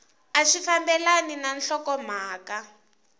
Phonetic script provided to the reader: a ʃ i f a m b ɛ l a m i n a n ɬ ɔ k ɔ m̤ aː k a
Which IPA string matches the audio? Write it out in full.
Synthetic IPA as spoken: a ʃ i f a m b ɛ l a n i n a n ɬ ɔ k ɔ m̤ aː k a